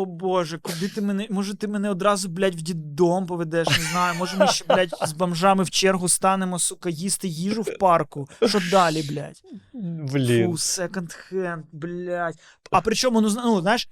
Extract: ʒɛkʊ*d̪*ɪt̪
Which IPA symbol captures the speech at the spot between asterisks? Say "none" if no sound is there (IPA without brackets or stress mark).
d̪